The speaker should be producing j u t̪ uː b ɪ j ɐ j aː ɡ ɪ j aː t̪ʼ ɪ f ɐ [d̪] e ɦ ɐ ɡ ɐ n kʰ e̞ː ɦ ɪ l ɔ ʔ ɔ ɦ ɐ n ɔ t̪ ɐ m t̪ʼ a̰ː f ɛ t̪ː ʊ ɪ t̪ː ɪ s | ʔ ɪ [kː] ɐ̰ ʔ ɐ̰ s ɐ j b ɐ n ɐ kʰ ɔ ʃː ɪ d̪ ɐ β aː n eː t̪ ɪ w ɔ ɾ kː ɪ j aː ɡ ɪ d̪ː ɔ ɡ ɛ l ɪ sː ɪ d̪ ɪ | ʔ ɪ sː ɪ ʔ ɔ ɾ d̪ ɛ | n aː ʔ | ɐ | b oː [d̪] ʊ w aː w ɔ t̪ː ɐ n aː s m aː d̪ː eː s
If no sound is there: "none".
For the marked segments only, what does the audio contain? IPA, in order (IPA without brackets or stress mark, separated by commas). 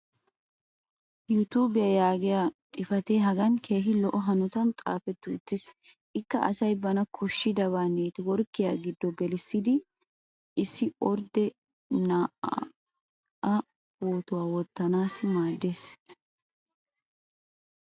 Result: t̪, kː, t̪